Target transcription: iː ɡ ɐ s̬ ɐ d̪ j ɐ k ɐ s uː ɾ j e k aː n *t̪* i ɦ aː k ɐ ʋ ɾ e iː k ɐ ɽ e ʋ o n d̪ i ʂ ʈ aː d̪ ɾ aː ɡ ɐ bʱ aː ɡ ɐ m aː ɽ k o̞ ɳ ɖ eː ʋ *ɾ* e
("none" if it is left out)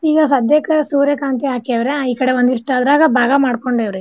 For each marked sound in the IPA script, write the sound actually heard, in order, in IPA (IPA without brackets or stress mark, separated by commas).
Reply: t̪, ɾ